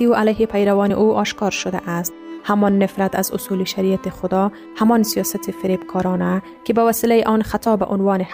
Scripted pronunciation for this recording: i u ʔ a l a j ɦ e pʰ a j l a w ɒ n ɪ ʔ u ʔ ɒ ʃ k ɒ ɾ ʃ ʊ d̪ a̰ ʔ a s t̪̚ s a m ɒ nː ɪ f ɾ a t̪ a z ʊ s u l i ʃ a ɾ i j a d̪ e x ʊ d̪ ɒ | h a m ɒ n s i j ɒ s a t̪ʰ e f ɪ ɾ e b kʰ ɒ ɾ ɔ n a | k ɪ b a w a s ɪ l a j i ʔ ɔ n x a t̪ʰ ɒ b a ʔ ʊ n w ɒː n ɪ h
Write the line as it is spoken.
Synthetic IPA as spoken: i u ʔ a l a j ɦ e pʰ a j ɾ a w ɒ n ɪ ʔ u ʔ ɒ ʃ k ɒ ɾ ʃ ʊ d̪ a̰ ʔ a s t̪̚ h a m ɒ nː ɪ f ɾ a t̪ a z ʊ s u l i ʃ a ɾ i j a t̪ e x ʊ d̪ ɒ | h a m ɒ n s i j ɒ s a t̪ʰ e f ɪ ɾ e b kʰ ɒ ɾ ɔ n a | k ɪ b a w a s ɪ l a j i ʔ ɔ n x a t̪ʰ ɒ b a ʔ ʊ n w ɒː n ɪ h